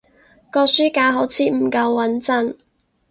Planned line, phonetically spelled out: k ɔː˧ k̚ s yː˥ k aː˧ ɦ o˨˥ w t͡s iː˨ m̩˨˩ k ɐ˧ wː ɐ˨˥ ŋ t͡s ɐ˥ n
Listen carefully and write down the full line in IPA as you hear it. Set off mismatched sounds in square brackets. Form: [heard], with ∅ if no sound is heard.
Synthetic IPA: k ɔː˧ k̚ s yː˥ k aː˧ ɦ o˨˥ w [t͡sʰ] iː˨ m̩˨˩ k ɐ˧ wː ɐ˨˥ [n] t͡s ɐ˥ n